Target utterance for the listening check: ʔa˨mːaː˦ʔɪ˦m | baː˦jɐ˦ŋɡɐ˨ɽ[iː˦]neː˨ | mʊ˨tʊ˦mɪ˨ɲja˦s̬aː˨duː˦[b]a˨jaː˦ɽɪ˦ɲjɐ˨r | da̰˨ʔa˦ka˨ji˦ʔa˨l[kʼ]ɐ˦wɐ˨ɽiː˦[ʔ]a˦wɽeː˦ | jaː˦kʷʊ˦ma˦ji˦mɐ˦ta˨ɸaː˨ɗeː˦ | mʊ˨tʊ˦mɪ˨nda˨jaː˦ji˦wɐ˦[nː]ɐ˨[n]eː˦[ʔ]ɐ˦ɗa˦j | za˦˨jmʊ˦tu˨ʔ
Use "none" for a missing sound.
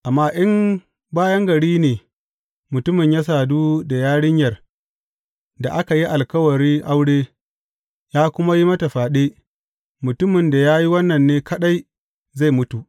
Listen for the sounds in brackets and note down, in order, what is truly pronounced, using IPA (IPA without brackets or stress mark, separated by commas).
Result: iː˦, d, k, ʔ, nː, nː, k